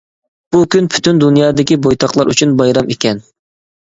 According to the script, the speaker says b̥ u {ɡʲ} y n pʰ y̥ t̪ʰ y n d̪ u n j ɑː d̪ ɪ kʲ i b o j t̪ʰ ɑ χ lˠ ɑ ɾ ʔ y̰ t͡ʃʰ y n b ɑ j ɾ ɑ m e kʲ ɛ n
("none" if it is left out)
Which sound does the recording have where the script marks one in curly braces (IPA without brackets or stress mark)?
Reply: kʲ